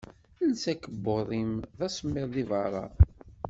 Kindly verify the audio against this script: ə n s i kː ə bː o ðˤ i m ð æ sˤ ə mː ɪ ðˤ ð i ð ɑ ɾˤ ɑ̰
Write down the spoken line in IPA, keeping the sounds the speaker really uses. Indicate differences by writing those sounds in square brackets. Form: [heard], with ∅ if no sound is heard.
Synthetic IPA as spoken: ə n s [æ] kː ə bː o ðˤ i m ð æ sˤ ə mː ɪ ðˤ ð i [v] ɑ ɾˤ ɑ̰